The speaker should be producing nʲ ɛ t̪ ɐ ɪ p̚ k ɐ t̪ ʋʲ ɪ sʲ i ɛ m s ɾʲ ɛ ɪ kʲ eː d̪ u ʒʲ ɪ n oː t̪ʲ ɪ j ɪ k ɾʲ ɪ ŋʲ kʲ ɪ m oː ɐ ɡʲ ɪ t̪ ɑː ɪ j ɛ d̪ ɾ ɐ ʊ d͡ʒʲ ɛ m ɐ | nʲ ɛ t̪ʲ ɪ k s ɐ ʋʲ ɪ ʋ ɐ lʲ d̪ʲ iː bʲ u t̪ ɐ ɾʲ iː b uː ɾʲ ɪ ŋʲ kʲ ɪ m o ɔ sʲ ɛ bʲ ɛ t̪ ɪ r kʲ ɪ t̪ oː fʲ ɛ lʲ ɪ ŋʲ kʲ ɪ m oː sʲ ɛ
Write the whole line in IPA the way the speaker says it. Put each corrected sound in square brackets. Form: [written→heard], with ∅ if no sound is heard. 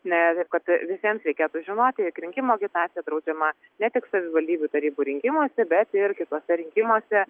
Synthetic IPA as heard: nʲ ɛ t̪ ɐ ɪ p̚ k ɐ t̪ ʋʲ ɪ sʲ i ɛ m s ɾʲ ɛ ɪ kʲ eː [d̪→t̪] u ʒʲ ɪ n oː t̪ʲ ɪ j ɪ k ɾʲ ɪ ŋʲ kʲ ɪ m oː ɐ ɡʲ ɪ t̪ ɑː ɪ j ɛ d̪ ɾ ɐ ʊ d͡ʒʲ ɛ m ɐ | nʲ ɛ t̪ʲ ɪ k s ɐ ʋʲ ɪ ʋ ɐ lʲ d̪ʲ iː bʲ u t̪ ɐ ɾʲ iː b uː ɾʲ ɪ ŋʲ kʲ ɪ m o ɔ sʲ ɛ bʲ ɛ t̪ ɪ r kʲ ɪ t̪ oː [fʲ→sʲ] ɛ [lʲ→ɾʲ] ɪ ŋʲ kʲ ɪ m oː sʲ ɛ